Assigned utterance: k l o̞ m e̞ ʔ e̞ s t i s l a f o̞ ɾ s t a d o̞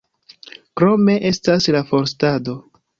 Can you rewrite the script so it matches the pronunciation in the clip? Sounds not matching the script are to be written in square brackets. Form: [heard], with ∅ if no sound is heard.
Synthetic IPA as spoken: k [ɾ] o̞ m e̞ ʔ e̞ s t [a] s l a f o̞ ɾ s t a d o̞